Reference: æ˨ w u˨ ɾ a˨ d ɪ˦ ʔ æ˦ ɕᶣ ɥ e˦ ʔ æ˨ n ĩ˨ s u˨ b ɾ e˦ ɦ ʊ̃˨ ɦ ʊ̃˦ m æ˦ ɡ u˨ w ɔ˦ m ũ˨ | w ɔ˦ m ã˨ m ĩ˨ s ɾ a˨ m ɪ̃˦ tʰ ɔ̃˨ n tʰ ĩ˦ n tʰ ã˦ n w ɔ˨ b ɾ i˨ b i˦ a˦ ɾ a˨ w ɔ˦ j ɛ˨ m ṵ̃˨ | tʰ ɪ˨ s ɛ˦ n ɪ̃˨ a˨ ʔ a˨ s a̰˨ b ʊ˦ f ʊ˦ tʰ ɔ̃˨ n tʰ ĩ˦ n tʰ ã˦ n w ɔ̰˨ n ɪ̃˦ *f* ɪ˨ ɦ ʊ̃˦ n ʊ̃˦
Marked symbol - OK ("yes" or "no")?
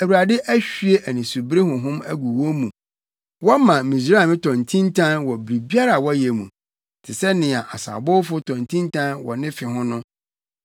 yes